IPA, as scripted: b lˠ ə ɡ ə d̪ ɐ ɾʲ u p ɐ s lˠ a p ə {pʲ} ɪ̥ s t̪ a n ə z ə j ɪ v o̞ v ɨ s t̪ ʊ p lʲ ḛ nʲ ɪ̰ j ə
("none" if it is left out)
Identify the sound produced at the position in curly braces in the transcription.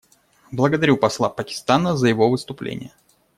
kʲ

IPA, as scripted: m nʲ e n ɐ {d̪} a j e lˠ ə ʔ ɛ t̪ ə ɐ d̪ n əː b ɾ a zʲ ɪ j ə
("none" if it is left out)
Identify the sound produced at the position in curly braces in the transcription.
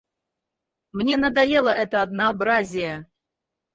d̪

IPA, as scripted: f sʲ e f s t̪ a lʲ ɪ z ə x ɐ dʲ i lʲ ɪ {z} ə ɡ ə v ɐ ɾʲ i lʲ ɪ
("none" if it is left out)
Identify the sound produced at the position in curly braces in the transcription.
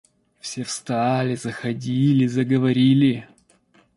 z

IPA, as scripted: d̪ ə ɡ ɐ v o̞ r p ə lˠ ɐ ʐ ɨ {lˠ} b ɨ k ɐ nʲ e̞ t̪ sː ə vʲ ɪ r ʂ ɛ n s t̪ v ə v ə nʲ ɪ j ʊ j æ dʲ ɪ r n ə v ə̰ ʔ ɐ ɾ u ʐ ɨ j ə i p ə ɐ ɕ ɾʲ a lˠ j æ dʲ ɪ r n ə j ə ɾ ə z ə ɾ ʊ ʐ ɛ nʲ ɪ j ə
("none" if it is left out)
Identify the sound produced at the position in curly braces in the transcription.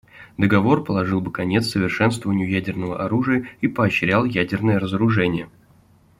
lˠ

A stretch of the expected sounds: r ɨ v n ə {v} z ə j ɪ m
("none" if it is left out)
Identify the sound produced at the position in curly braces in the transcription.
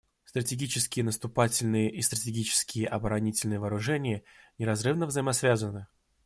v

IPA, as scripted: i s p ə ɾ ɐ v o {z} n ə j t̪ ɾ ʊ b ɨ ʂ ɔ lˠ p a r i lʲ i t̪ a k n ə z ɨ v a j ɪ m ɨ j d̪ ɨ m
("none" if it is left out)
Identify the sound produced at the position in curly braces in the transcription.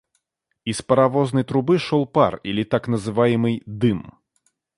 z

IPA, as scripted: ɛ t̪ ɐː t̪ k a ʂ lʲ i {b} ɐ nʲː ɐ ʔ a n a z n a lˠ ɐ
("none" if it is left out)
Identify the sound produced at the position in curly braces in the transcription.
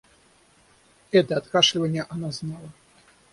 v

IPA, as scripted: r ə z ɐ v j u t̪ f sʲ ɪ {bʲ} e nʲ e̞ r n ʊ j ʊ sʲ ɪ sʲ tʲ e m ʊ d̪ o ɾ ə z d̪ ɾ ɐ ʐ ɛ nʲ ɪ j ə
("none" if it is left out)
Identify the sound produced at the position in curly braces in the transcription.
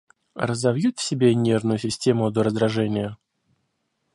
bʲ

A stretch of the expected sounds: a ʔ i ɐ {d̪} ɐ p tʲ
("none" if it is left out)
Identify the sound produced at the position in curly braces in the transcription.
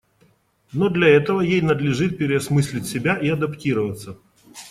d̪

